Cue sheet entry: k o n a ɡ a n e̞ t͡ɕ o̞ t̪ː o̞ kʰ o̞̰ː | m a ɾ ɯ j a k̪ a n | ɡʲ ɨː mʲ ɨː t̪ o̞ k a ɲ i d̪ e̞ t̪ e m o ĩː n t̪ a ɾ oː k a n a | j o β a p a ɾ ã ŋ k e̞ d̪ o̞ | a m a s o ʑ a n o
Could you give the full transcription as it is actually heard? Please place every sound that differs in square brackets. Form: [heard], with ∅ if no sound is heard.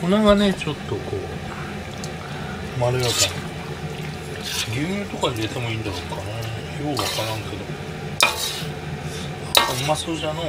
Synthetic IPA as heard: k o n a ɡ a n e̞ t͡ɕ o̞ t̪ː o̞ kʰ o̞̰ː | m a ɾ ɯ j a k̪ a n | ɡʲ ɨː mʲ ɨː t̪ o̞ k a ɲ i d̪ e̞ t̪ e m o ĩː n [d̪] a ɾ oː k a n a | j o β a [k] a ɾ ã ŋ k e̞ d̪ o̞ | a m a s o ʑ a n o